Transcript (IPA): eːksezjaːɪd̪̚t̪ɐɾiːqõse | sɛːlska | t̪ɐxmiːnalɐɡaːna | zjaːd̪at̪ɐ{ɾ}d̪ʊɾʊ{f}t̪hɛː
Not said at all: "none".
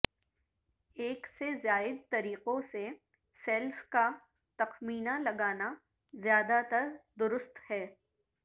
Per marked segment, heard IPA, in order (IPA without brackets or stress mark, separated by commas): ɾ, s